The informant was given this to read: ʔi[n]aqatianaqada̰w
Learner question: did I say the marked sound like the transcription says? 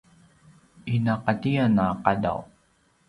yes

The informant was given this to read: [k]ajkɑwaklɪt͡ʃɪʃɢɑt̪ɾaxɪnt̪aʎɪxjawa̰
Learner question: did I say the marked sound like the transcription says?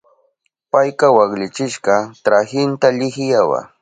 no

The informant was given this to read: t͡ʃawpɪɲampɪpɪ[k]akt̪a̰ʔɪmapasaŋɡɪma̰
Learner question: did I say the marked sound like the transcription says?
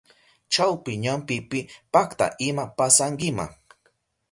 no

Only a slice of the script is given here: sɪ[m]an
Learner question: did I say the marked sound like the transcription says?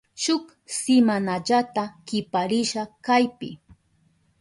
yes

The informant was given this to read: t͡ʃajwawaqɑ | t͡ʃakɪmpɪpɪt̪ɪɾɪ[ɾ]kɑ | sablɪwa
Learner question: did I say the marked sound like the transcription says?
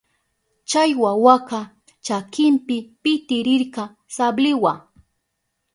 yes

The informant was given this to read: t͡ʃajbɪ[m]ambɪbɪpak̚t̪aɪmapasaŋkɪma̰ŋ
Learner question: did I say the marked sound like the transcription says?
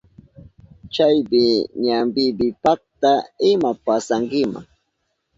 no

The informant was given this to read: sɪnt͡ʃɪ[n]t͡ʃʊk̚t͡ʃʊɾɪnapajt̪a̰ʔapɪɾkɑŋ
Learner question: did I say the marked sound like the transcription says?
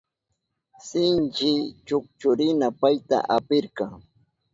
no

